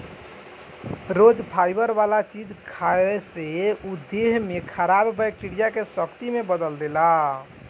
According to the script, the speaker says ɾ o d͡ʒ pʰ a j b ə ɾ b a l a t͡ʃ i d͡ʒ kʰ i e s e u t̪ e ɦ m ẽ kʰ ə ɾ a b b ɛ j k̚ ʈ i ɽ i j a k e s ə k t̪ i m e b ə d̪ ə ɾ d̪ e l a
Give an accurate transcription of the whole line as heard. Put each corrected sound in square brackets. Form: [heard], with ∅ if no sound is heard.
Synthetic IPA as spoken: ɾ o d͡ʒ pʰ a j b ə ɾ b a l a t͡ʃ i d͡ʒ kʰ [a] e s e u [d̪] e ɦ m [e] kʰ ə ɾ a b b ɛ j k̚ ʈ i ɽ i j a k e s ə k t̪ i m e b ə d̪ ə [l] d̪ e l a